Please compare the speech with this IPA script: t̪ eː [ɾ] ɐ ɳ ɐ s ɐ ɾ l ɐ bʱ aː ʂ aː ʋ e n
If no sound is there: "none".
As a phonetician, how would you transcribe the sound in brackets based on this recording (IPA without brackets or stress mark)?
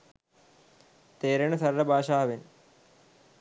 ɾ